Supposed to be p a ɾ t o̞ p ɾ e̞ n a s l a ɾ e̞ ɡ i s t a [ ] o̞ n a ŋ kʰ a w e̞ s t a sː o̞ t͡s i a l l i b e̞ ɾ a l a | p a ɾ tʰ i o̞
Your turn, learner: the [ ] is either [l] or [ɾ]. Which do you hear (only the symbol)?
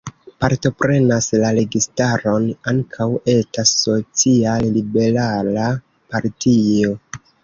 ɾ